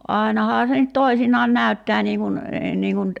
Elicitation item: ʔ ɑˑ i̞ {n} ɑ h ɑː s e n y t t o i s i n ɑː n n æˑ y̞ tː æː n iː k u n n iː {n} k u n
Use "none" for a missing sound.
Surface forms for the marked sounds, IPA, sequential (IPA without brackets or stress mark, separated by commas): n, ŋ